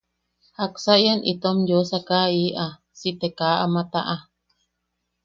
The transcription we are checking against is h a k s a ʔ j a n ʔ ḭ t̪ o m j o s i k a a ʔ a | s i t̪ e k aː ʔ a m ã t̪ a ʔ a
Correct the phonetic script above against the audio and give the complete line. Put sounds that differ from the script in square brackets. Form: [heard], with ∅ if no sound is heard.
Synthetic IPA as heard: h a k s a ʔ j a n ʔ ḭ t̪ o m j o s [a] k a [i] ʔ a | s i t̪ e k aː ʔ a m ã t̪ a ʔ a